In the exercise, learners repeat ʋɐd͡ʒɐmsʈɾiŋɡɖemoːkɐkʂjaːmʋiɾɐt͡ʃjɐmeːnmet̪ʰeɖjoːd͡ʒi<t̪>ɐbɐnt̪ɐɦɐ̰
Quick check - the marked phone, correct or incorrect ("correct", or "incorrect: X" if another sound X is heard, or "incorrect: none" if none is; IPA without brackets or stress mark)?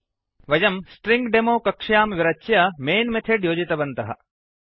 correct